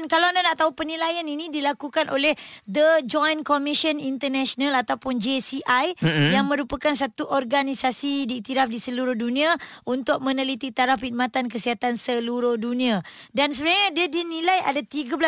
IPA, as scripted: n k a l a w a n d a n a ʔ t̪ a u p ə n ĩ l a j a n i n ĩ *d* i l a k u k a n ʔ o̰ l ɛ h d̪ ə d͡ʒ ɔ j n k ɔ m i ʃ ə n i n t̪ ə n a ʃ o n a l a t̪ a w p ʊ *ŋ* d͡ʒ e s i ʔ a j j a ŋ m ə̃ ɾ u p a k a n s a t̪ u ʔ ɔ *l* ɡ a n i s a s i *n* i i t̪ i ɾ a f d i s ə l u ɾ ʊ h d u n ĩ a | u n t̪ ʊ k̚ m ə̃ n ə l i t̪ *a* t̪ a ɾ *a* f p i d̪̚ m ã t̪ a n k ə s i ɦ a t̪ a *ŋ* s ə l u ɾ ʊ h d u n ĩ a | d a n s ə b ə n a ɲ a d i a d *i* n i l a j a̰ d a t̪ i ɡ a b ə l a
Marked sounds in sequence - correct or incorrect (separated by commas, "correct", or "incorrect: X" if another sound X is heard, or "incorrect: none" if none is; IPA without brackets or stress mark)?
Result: correct, incorrect: n, incorrect: r, incorrect: d, incorrect: i, correct, incorrect: n, correct